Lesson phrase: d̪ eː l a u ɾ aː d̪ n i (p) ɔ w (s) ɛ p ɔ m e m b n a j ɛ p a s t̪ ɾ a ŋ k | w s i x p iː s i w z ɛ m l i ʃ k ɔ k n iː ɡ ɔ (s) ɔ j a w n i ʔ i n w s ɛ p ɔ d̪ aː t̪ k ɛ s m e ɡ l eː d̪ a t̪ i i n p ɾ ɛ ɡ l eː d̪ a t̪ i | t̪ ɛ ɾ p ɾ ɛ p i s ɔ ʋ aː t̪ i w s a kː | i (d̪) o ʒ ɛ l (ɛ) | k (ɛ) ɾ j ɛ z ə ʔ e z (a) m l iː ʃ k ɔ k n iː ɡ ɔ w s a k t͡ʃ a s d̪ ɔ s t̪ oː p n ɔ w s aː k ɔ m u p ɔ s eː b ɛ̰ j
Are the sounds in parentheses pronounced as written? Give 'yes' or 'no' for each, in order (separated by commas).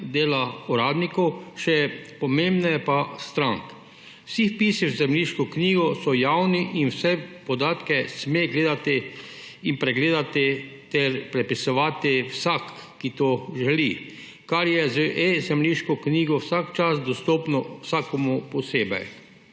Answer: no, no, yes, no, no, no, no